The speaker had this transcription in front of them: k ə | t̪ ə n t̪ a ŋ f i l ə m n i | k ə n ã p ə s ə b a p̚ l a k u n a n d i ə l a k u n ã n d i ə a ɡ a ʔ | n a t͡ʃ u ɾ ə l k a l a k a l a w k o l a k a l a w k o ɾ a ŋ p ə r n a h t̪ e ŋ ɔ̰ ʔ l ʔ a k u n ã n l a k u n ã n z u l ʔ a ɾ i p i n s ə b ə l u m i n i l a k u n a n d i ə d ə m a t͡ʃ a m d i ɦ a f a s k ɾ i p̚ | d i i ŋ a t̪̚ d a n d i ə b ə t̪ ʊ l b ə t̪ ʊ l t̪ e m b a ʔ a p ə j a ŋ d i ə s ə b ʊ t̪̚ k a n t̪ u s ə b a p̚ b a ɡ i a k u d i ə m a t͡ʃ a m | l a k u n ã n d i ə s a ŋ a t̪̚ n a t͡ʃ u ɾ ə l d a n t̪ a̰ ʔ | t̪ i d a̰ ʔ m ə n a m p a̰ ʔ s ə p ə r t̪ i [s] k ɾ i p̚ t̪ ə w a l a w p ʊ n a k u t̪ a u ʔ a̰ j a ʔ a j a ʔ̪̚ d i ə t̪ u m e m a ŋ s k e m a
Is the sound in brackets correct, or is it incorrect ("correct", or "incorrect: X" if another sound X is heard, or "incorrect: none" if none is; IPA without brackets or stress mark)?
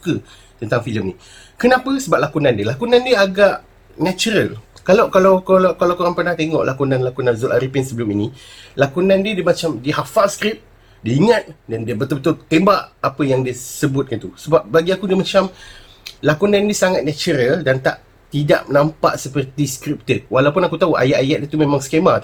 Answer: correct